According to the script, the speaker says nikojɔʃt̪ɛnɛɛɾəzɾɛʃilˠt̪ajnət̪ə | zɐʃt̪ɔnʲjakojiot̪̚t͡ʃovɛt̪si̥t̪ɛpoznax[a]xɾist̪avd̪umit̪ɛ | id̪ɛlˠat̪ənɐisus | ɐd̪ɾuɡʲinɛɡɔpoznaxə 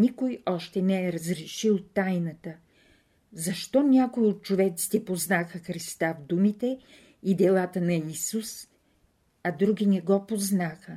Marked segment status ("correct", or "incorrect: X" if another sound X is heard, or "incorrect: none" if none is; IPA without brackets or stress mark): incorrect: ə